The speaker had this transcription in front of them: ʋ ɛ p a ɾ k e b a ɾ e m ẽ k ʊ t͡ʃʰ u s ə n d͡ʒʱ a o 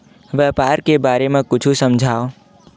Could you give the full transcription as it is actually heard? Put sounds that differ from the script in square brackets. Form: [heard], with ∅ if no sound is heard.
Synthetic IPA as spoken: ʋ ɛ p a ɾ k e b a ɾ e m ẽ k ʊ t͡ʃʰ u s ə [m] d͡ʒʱ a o